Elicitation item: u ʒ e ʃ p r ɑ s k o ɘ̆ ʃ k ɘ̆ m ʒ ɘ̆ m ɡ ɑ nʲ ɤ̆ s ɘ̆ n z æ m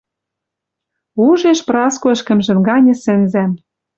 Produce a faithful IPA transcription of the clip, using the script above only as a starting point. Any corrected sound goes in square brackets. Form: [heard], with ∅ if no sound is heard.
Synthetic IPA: u ʒ e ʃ p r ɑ s k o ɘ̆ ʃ k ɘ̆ m ʒ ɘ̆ m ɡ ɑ nʲ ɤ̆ s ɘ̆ n z æ m